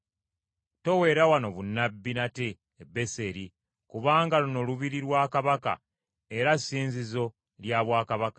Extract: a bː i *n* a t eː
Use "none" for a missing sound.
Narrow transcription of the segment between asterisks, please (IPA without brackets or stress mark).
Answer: n